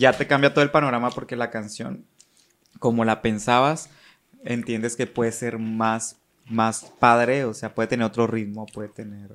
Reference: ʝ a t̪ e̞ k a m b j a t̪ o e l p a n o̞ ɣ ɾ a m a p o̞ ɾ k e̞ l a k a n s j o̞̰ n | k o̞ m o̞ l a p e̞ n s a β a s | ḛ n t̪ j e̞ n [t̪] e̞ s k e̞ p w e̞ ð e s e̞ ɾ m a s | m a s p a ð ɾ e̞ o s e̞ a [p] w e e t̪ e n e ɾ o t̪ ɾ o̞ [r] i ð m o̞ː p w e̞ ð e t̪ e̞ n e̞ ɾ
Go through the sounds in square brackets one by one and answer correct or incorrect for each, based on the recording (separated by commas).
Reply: incorrect, correct, correct